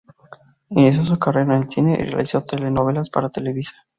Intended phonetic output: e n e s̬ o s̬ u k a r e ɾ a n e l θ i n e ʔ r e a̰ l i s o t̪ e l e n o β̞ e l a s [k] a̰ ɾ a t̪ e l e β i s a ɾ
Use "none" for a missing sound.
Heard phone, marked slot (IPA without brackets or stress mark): p